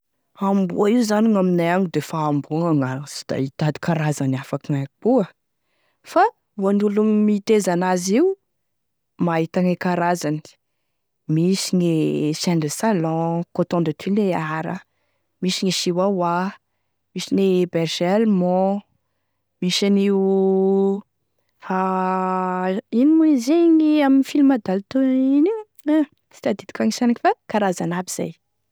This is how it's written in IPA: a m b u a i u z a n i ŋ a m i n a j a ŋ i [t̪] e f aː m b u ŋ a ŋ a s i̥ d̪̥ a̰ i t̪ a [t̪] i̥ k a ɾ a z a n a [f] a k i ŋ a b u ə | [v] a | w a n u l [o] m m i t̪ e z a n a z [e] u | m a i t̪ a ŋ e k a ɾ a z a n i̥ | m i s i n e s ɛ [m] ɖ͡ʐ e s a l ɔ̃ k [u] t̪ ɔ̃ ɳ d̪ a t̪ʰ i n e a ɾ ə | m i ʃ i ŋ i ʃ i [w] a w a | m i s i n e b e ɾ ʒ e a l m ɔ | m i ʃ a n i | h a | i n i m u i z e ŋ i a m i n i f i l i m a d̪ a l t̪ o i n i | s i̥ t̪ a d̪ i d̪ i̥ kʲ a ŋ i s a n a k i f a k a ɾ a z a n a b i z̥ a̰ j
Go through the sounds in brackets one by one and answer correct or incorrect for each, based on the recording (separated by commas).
incorrect, incorrect, correct, incorrect, incorrect, incorrect, incorrect, incorrect, correct